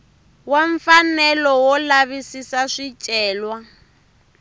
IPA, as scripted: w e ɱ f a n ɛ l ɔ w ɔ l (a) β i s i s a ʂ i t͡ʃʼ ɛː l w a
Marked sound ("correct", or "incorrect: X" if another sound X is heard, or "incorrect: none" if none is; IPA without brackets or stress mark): correct